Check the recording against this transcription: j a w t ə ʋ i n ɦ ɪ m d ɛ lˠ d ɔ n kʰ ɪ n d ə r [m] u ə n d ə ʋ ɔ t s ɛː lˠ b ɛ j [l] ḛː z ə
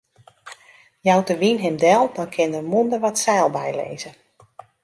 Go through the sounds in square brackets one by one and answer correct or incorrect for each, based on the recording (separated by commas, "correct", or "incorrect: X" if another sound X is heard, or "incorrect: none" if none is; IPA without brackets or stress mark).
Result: correct, correct